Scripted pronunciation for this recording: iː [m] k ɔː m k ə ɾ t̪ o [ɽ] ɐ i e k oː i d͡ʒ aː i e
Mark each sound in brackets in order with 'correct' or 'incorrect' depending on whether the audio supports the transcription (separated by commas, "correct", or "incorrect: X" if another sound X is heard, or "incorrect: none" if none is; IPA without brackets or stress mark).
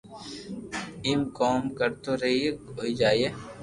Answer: correct, incorrect: ɾ